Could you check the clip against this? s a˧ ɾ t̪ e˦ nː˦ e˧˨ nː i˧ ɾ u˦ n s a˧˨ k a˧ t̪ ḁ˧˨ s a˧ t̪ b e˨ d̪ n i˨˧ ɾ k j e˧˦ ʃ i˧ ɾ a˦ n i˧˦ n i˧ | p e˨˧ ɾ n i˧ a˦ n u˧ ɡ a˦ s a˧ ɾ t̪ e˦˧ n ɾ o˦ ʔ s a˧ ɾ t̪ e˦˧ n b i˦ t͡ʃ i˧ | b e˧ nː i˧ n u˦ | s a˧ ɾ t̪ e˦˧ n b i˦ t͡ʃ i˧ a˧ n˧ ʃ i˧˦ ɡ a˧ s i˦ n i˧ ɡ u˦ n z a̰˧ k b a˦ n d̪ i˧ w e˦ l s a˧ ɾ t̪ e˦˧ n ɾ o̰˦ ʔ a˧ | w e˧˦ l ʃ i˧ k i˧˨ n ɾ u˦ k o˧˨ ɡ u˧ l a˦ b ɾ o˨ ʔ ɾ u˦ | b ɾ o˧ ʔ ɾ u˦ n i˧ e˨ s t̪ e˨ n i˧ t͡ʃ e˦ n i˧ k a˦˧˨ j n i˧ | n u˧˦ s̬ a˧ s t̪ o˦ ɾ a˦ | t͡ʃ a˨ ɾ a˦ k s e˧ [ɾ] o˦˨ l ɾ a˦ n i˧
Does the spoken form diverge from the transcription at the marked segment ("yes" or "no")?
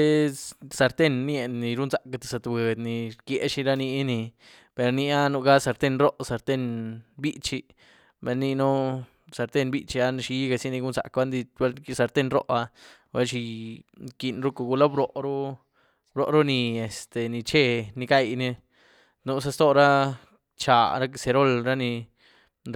no